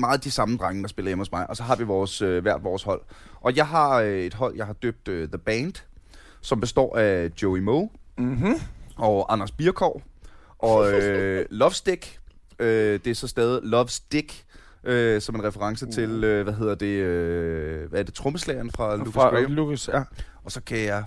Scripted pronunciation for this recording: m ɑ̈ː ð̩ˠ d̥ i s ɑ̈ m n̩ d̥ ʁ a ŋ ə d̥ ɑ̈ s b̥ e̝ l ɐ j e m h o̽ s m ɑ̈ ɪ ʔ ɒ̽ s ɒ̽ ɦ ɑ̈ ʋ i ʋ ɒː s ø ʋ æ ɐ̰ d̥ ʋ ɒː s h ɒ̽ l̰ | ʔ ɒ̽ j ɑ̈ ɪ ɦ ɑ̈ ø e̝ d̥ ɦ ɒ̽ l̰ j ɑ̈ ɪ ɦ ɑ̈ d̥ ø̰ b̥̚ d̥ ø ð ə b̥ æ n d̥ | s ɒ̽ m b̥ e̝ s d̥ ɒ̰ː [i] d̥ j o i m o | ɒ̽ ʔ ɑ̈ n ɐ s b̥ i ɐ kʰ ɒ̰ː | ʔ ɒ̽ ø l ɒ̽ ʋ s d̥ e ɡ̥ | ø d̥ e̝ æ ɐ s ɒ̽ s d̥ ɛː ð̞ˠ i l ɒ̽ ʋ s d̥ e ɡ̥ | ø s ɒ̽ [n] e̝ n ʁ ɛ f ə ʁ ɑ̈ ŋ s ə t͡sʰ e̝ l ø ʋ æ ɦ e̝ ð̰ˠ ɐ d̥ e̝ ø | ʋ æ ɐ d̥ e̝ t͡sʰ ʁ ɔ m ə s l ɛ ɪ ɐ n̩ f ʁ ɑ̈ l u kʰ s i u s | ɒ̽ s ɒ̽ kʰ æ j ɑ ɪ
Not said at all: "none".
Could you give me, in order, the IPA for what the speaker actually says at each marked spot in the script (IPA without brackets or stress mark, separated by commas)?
æ, m